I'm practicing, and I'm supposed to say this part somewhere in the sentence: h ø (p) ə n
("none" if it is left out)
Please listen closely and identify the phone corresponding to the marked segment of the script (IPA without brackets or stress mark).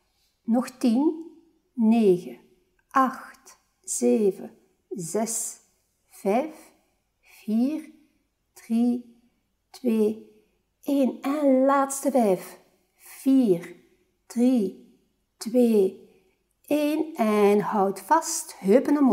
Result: p